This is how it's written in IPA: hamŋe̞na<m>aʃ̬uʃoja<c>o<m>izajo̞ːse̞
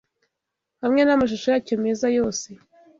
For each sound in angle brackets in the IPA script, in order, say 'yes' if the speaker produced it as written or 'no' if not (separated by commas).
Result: yes, yes, yes